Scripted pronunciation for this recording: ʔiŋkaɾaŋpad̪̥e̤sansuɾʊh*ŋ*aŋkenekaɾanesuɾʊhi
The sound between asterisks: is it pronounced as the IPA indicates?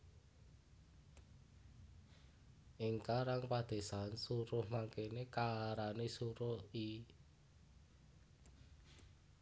no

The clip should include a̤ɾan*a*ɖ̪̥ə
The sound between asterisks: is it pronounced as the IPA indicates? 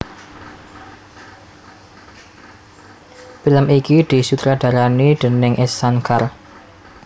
no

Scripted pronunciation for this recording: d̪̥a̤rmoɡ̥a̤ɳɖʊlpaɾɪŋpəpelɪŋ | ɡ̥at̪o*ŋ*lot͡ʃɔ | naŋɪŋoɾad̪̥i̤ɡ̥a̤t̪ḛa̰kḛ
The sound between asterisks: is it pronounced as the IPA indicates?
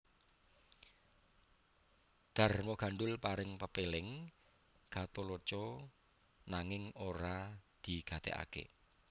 no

